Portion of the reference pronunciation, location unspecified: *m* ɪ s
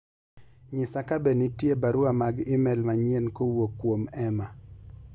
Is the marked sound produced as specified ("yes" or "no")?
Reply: no